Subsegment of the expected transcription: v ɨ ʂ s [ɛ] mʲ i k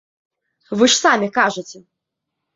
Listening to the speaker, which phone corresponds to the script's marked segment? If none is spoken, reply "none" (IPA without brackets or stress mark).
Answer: a